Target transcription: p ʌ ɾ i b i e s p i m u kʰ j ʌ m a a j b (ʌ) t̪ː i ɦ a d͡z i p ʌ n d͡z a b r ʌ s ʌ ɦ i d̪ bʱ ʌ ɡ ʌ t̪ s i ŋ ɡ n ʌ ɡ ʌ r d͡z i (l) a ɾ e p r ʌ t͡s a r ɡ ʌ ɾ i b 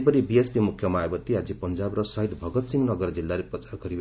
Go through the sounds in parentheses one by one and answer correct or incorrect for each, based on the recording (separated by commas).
correct, incorrect